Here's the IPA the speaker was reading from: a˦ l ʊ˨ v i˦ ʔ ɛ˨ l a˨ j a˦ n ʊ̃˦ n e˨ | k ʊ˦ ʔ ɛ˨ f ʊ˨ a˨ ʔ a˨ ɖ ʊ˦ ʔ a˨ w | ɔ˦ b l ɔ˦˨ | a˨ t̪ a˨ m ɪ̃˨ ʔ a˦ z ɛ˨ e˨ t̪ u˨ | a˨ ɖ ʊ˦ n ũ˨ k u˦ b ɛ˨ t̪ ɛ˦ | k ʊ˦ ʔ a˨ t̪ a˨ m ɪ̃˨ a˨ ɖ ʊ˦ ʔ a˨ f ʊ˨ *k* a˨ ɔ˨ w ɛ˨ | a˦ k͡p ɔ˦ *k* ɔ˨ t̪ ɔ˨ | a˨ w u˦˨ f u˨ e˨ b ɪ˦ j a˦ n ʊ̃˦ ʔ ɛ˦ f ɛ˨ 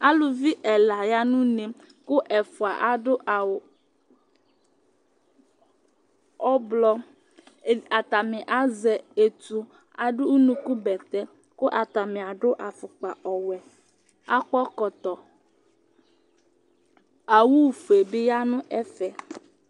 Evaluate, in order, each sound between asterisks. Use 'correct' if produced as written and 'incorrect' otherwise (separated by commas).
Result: incorrect, correct